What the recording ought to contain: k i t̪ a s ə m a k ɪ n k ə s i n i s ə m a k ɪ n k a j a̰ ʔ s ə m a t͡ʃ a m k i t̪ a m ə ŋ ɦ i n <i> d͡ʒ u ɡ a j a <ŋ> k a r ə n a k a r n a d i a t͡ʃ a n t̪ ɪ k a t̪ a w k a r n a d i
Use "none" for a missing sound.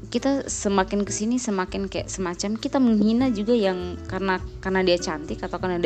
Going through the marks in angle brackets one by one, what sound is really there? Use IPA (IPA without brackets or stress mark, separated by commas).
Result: a, ŋ